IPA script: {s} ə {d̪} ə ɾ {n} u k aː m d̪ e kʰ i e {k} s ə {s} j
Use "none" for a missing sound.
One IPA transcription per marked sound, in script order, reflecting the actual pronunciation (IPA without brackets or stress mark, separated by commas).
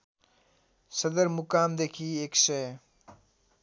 s, d̪, m, k, none